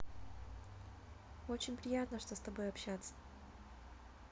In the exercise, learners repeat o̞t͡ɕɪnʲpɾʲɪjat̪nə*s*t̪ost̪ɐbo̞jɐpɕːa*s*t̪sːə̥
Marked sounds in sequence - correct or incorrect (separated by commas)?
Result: incorrect, incorrect